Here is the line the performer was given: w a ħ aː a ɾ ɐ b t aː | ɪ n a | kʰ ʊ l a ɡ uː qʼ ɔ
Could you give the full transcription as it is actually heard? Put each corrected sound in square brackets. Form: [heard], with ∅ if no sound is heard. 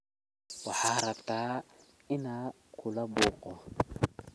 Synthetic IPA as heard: w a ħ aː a ɾ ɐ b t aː | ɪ n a | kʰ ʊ l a [b] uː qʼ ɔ